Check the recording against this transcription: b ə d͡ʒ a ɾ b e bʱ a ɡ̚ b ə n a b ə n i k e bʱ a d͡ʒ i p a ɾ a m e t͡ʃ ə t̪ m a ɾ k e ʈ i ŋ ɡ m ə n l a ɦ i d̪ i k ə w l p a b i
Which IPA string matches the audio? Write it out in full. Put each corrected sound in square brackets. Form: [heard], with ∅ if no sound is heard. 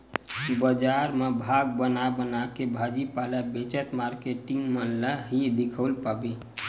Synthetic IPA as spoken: b ə d͡ʒ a ɾ [m] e bʱ a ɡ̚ b ə n a b ə n [a] k e bʱ a d͡ʒ i p a [l] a [b] e t͡ʃ ə t̪ m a ɾ k e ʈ i ŋ ɡ m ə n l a ɦ i d̪ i [kʰ] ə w l p a b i